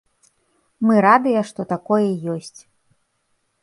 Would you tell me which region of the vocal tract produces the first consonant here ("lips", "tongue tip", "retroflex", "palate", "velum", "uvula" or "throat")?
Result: lips